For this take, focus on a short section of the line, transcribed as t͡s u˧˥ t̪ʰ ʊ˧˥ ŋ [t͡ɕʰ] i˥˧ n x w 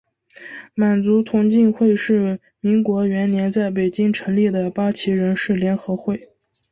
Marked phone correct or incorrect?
incorrect